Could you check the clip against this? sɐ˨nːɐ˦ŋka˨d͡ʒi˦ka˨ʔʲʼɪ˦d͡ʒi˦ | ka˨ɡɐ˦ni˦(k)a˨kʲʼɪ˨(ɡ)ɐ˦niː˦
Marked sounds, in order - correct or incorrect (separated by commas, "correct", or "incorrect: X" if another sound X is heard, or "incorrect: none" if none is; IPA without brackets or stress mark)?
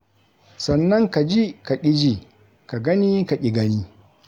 correct, correct